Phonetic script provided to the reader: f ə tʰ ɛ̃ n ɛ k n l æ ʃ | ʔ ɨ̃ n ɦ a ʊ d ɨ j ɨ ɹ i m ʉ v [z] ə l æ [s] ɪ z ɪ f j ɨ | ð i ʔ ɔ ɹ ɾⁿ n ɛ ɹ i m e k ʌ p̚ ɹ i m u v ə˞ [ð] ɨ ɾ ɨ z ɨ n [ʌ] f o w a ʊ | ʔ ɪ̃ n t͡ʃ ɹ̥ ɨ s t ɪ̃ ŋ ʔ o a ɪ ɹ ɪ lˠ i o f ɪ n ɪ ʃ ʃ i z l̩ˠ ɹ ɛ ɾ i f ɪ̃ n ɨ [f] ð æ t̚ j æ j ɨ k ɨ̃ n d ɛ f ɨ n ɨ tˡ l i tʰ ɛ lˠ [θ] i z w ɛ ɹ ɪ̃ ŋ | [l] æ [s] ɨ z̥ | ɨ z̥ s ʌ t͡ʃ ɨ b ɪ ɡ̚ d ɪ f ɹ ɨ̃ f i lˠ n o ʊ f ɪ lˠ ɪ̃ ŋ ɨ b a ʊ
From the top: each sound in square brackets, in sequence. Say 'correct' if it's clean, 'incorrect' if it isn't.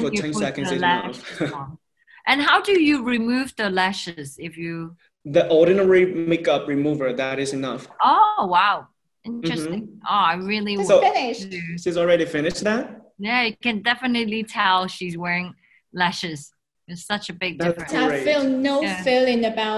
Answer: incorrect: ð, incorrect: ʃ, correct, correct, incorrect: ʃ, incorrect: ʃ, correct, incorrect: ʃ

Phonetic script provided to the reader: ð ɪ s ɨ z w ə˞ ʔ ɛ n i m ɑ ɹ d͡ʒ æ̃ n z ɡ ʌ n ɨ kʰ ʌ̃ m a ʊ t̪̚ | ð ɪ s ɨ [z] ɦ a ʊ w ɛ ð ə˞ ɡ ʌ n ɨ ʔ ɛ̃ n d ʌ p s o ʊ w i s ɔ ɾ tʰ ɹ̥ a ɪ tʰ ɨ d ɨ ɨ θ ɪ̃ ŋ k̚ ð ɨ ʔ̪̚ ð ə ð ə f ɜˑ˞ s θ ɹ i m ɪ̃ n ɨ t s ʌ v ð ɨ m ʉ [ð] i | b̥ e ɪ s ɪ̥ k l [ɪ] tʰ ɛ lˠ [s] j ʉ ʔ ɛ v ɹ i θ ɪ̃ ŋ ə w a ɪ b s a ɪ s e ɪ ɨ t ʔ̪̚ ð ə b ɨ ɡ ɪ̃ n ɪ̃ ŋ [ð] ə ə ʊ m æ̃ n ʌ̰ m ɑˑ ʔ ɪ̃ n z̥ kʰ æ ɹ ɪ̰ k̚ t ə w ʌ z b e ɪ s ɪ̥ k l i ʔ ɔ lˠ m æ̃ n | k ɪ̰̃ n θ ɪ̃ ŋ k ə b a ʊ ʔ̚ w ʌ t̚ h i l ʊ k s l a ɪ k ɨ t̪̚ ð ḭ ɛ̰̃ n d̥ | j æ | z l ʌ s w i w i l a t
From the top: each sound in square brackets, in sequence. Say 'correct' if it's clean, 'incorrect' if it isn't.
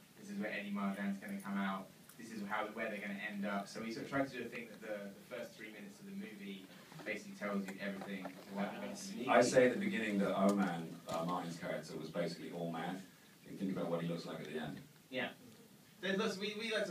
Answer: correct, incorrect: v, incorrect: i, incorrect: z, correct

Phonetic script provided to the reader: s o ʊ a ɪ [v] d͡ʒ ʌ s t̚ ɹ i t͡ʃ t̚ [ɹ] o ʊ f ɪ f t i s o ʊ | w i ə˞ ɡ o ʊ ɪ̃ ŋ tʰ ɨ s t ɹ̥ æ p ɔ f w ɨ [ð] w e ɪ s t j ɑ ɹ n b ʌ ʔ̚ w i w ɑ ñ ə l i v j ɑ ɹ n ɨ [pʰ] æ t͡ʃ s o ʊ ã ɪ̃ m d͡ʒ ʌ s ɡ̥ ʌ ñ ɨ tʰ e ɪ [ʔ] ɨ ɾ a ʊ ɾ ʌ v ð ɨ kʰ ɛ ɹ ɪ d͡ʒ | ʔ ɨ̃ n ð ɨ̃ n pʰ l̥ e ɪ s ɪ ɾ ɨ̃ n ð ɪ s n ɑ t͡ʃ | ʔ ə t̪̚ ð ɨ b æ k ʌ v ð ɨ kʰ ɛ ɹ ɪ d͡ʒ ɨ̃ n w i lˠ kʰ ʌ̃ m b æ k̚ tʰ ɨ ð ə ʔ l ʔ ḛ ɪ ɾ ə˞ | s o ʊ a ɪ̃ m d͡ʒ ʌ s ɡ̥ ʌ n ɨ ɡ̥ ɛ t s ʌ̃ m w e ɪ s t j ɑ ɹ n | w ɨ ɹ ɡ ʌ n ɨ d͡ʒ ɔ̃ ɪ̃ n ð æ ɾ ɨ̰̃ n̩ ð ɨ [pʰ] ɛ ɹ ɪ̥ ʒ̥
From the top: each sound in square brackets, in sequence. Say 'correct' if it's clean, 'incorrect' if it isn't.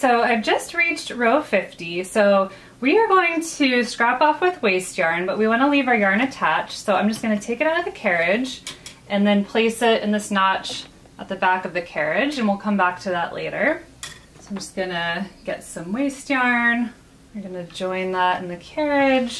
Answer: correct, correct, correct, incorrect: tʰ, incorrect: k, incorrect: kʰ

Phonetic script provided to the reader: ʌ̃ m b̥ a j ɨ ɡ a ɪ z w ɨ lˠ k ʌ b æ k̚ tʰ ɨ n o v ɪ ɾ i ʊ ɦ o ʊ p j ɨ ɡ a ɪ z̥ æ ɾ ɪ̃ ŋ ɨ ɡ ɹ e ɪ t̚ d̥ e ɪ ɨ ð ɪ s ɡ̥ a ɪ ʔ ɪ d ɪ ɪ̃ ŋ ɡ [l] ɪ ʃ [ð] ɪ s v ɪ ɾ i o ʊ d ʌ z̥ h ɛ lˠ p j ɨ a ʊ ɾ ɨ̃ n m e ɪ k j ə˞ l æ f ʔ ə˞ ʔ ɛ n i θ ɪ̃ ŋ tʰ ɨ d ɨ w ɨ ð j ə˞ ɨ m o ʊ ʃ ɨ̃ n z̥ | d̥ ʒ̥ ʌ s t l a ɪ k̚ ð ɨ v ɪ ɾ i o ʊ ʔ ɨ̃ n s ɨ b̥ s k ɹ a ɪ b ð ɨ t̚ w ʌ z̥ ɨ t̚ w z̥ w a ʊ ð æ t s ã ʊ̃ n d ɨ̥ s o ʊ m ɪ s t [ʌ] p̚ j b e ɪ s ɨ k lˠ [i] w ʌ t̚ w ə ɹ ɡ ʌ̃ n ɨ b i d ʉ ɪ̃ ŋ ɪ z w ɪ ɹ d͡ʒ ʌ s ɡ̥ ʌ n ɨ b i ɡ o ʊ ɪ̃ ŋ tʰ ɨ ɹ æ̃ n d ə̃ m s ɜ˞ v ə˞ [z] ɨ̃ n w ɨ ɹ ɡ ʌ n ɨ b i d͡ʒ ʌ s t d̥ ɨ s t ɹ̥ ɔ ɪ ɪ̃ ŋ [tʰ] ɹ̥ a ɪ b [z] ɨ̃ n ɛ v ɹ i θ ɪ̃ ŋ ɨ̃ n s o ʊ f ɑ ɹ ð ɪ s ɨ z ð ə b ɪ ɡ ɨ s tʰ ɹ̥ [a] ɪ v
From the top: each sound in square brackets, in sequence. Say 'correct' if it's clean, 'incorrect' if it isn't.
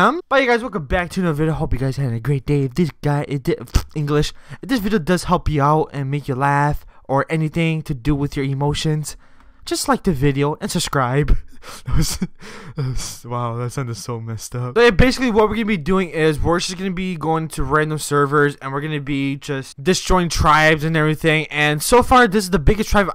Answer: correct, correct, correct, correct, correct, correct, correct, correct

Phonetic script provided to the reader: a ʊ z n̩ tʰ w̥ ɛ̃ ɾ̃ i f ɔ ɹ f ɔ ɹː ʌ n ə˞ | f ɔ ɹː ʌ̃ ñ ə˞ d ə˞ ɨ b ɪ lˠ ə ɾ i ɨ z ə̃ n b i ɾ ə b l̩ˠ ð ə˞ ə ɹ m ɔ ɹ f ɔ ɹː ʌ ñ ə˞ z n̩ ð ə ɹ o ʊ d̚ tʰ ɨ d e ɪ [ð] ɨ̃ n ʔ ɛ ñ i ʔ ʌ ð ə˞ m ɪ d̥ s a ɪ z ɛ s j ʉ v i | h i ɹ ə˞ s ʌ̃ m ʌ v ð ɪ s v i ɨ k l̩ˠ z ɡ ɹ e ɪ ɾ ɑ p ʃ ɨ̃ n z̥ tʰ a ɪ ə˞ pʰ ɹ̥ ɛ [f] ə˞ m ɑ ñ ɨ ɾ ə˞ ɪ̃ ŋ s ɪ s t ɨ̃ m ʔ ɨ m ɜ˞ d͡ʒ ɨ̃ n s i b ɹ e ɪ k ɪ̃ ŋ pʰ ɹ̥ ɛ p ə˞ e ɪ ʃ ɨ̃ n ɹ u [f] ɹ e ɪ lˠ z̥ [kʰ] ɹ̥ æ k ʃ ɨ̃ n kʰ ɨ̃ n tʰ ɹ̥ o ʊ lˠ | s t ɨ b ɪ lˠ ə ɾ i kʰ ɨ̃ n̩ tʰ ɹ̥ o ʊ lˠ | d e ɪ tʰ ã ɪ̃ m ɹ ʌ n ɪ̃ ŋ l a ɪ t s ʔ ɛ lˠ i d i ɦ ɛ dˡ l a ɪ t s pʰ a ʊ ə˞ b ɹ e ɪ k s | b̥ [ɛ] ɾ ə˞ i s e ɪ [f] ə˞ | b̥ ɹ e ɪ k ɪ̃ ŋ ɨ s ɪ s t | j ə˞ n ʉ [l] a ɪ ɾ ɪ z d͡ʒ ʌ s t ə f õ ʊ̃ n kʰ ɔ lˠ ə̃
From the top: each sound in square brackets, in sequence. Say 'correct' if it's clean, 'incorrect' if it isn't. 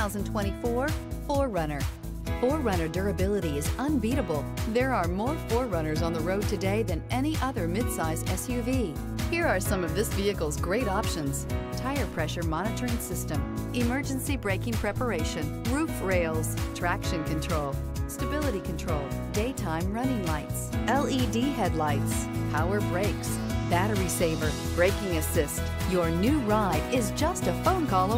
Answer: correct, incorrect: ʃ, correct, incorrect: tʰ, incorrect: æ, incorrect: v, incorrect: ɹ

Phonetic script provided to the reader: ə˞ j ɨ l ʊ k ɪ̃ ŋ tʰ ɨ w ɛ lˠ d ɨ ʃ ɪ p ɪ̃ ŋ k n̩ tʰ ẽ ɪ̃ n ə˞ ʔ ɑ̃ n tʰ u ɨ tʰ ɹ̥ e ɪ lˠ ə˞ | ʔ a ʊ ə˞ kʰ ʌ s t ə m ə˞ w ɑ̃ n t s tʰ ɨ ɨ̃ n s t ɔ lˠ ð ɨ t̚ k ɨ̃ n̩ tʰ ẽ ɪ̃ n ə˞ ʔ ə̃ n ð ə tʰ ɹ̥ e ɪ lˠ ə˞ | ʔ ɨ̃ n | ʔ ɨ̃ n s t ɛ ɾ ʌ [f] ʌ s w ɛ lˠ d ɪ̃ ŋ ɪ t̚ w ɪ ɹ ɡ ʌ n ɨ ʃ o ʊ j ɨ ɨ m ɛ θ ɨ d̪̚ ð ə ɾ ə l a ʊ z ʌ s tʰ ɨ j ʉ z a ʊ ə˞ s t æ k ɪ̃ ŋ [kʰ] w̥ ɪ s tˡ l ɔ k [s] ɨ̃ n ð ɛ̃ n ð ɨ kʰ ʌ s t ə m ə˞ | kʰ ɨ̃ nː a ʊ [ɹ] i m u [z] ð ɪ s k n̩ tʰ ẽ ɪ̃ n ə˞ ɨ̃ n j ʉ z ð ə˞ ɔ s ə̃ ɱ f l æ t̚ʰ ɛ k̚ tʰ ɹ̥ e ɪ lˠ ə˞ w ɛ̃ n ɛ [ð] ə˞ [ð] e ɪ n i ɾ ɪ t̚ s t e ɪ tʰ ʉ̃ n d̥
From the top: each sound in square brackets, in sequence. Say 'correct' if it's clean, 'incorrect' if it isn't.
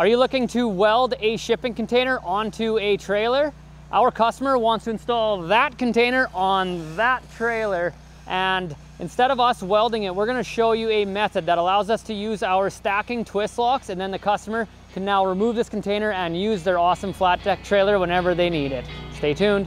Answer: incorrect: v, incorrect: tʰ, correct, correct, incorrect: v, incorrect: v, correct

